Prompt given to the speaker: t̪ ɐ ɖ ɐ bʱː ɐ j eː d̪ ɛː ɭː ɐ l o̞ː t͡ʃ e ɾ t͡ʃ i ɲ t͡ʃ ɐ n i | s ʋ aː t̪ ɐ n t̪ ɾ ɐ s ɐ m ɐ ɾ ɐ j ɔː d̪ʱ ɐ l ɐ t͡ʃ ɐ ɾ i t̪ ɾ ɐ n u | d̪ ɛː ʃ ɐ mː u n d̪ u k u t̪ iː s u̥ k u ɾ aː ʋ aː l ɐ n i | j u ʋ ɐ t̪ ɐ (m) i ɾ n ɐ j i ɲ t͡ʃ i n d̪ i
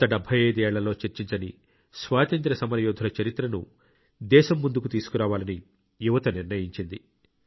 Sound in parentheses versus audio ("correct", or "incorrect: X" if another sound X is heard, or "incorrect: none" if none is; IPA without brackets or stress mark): incorrect: n